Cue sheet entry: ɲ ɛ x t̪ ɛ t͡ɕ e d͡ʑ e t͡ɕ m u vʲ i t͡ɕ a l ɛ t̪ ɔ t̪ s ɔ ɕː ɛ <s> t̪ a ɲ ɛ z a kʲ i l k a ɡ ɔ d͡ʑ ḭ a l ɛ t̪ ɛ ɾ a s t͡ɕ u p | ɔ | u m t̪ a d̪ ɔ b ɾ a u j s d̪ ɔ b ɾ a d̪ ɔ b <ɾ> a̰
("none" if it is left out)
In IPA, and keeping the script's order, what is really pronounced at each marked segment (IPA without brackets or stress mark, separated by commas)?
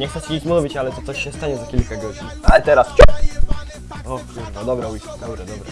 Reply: s, ɾ